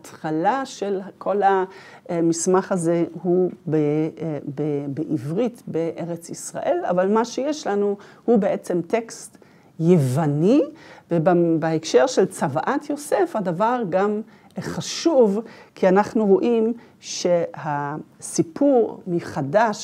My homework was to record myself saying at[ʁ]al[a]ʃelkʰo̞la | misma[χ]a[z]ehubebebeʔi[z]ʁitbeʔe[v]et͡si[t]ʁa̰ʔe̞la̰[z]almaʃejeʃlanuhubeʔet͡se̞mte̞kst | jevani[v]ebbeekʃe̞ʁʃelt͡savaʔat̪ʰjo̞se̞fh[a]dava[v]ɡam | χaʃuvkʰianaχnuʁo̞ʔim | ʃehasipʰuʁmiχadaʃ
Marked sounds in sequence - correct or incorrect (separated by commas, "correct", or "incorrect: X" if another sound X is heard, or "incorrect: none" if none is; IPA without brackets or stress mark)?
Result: incorrect: χ, correct, correct, correct, incorrect: v, incorrect: ʁ, incorrect: s, incorrect: v, correct, correct, incorrect: ʁ